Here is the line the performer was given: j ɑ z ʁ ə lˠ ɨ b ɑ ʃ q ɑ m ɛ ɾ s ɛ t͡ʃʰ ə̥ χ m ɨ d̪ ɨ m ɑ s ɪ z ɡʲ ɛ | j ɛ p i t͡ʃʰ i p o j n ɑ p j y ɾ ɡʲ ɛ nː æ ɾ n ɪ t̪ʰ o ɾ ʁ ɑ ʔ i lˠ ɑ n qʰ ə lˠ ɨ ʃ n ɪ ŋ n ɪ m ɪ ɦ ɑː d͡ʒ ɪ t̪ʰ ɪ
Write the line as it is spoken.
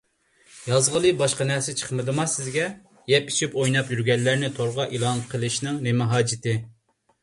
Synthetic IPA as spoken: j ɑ z ʁ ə lˠ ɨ b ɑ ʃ q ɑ n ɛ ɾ s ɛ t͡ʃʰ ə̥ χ m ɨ d̪ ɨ m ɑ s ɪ z ɡʲ ɛ | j ɛ p i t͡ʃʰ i p o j n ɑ p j y ɾ ɡʲ ɛ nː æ ɾ n ɪ t̪ʰ o ɾ ʁ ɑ ʔ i lˠ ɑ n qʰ ə lˠ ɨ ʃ n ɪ ŋ n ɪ m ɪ ɦ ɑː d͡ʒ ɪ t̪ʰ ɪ

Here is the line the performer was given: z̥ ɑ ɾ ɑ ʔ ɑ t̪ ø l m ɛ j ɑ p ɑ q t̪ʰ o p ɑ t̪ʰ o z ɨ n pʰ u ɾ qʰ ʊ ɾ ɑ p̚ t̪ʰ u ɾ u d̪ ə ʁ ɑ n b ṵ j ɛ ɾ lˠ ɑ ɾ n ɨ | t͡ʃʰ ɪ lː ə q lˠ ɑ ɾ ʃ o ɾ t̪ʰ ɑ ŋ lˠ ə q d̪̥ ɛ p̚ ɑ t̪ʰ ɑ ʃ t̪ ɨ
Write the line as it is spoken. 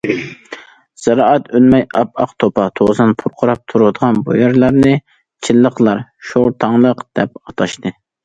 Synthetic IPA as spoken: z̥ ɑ ɾ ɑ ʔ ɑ t̪ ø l m ɛ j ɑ p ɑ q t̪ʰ o p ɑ t̪ʰ o z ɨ n pʰ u ɾ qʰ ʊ ɾ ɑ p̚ t̪ʰ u ɾ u d̪ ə ʁ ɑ n b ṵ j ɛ ɾ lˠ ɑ ɾ n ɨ | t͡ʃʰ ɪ lː ə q lˠ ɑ ɾ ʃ o ɾ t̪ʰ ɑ ŋ lˠ ə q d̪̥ ɛ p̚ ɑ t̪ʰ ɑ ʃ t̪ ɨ

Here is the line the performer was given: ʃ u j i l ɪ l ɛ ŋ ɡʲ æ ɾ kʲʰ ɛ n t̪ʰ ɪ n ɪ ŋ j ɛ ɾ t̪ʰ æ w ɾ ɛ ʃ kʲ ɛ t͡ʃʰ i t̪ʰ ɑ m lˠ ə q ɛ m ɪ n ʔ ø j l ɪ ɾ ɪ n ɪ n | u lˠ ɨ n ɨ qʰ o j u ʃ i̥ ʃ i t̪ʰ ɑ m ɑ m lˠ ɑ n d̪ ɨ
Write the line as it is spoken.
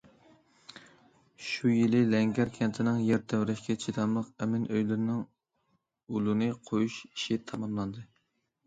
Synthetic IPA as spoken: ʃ u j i l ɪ l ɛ ŋ ɡʲ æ ɾ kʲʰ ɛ n t̪ʰ ɪ n ɪ ŋ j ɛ ɾ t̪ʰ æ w ɾ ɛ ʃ kʲ ɛ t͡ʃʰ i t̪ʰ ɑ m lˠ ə q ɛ m ɪ n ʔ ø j l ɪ ɾ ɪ n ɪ ŋ | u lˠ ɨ n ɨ qʰ o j u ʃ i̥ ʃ i t̪ʰ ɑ m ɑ m lˠ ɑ n d̪ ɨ

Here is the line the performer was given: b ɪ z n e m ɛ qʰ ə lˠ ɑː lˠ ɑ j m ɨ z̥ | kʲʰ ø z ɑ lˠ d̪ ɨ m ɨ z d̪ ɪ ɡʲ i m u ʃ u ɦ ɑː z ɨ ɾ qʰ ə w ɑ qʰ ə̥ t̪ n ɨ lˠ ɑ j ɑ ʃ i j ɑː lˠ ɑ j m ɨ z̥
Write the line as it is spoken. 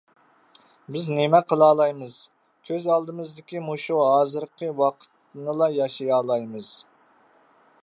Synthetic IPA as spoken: b ɪ z n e m ɛ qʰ ə lˠ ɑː lˠ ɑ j m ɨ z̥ | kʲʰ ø z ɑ lˠ d̪ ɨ m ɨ z d̪ ɪ kʲ i m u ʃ u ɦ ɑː z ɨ ɾ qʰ ə w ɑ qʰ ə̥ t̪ n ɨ lˠ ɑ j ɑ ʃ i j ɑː lˠ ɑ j m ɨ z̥

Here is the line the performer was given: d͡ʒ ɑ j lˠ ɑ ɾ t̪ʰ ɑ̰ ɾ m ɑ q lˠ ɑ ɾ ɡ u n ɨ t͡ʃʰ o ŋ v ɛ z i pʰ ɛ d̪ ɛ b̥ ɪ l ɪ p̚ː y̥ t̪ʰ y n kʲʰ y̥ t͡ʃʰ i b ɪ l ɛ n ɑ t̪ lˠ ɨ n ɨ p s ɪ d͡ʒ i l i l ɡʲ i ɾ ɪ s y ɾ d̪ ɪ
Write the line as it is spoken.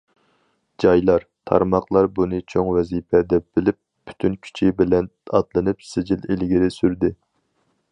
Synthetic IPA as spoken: d͡ʒ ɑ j lˠ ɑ ɾ t̪ʰ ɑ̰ ɾ m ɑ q lˠ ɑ ɾ b u n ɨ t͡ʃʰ o ŋ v ɛ z i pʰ ɛ d̪ ɛ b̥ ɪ l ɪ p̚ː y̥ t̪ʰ y n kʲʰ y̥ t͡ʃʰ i b ɪ l ɛ n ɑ t̪ lˠ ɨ n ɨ p s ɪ d͡ʒ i l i l ɡʲ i ɾ ɪ s y ɾ d̪ ɪ

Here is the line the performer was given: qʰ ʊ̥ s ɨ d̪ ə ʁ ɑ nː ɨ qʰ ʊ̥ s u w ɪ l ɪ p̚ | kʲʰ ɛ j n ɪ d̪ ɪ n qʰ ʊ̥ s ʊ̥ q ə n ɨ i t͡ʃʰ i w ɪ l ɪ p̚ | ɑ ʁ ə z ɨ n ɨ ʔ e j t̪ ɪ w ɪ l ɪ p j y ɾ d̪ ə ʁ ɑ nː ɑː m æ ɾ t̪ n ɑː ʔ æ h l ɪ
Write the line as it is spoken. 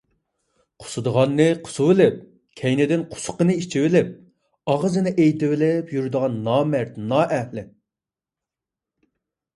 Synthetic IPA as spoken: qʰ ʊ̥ s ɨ d̪ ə ʁ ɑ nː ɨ qʰ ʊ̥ s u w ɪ l ɪ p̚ | kʲʰ ɛ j n ɪ d̪ ɪ n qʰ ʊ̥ s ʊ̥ q ə n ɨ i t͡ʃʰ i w ɪ l ɪ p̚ | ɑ ʁ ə z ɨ n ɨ ʔ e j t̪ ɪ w ɪ l ɪ p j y ɾ d̪ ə ʁ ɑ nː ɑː m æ ɾ t̪ n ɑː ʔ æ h l ɪ

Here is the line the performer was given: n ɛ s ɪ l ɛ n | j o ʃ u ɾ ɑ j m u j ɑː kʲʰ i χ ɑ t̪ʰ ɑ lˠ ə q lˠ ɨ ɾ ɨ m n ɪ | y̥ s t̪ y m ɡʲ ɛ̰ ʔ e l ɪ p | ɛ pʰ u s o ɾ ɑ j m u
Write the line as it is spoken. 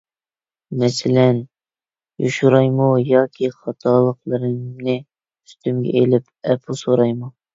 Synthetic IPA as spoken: m ɛ s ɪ l ɛ n | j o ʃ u ɾ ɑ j m u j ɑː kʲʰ i χ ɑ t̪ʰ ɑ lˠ ə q lˠ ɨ ɾ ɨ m n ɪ | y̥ s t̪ y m ɡʲ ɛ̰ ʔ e l ɪ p | ɛ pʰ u s o ɾ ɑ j m u

